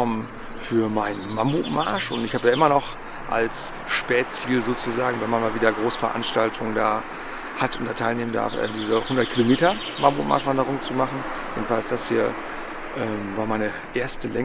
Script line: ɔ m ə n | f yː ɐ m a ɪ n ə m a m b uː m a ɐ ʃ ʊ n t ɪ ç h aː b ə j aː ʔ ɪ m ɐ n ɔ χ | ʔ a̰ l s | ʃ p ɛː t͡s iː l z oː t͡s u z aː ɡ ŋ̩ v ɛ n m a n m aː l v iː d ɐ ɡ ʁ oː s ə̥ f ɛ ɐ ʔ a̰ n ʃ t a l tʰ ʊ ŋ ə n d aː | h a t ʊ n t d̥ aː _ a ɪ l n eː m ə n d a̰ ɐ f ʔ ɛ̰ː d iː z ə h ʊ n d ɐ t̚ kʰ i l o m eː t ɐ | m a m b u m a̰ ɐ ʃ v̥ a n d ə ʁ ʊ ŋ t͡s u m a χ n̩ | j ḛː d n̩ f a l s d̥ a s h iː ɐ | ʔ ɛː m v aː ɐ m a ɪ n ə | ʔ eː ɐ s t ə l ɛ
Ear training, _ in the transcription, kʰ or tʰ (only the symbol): tʰ